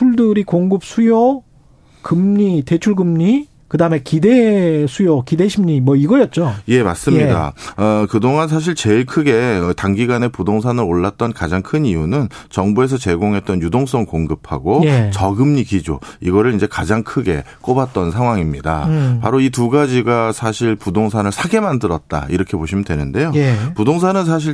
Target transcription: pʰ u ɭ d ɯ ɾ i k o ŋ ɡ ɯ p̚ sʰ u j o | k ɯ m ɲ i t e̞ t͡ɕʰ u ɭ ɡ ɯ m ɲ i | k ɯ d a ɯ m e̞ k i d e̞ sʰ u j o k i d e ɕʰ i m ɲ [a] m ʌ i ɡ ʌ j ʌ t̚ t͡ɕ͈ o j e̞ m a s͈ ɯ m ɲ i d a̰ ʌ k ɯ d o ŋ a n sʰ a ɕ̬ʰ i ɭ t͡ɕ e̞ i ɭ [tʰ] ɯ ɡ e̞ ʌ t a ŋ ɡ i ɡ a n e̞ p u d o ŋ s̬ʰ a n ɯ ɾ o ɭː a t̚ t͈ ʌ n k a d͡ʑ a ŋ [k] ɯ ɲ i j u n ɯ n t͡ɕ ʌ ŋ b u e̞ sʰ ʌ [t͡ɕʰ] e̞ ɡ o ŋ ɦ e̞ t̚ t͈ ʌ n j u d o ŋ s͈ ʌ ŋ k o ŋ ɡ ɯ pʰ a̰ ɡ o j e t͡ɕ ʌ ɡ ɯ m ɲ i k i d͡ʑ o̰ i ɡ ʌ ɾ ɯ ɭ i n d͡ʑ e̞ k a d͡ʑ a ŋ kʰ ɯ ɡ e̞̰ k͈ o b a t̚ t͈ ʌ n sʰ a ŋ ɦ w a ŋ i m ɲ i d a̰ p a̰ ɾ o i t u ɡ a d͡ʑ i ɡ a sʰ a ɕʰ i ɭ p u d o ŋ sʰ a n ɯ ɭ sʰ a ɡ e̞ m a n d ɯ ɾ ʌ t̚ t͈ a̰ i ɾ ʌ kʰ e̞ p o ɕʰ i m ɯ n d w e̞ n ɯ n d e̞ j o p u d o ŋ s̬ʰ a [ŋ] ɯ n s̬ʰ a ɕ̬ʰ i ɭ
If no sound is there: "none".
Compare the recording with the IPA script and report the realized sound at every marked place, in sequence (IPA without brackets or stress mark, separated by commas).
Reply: i, kʰ, kʰ, t͡ɕ, n